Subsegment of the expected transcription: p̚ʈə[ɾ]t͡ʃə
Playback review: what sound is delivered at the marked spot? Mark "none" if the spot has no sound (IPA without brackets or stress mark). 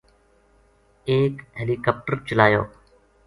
ɾ